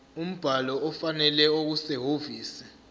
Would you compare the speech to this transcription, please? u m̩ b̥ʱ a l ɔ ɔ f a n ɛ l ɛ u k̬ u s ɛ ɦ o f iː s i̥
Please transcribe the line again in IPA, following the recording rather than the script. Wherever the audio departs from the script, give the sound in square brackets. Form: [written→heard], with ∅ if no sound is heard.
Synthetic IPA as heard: u m̩ b̥ʱ a l ɔ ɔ f a n ɛ l ɛ [u→o] k̬ u s ɛ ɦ o [f→v] iː s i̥

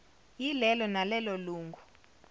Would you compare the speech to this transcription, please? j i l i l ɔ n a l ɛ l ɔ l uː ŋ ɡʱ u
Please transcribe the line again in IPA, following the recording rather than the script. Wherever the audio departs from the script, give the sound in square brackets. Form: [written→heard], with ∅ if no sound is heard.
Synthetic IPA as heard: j i l [i→ɛ] l ɔ n a l ɛ l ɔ l uː ŋ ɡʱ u

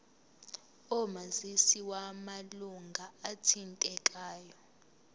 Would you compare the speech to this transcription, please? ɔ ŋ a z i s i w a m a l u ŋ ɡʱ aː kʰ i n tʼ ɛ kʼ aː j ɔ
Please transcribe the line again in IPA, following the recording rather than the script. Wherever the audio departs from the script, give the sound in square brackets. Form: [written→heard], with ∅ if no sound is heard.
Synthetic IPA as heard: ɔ [ŋ→m] a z i s i w a m a l u ŋ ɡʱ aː [kʰ→tʰ] i n tʼ ɛ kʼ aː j ɔ

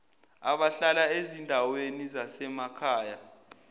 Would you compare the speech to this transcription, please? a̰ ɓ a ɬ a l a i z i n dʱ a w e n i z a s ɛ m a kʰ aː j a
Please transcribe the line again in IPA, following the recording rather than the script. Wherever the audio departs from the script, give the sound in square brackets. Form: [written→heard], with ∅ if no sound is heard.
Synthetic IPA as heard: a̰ ɓ a ɬ a l a [i→e] z i n dʱ a w e n i z a s ɛ m a kʰ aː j a

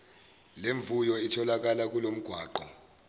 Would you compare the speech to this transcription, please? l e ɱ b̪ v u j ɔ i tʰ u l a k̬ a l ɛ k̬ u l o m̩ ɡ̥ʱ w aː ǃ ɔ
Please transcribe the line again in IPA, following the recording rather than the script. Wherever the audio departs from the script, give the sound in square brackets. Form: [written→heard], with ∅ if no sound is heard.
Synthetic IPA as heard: l e ɱ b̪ v u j ɔ i tʰ [u→ɔ] l a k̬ a l [ɛ→a] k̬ u l o m̩ ɡ̥ʱ w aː ǃ ɔ

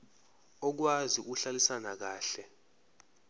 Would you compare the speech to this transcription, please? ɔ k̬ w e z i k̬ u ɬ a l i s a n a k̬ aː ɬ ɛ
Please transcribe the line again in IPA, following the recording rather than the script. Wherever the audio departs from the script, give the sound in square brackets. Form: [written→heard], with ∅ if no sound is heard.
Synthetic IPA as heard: ɔ k̬ w [e→a] z i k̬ u ɬ a l i s a n a k̬ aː ɬ ɛ

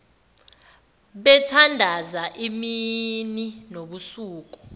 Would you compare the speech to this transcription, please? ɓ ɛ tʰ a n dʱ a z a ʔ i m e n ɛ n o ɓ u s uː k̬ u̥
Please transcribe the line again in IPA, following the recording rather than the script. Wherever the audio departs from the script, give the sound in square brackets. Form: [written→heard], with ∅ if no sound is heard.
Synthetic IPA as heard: ɓ ɛ tʰ a n dʱ a z a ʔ i m [e→i] n [ɛ→i] n o ɓ u s uː k̬ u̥

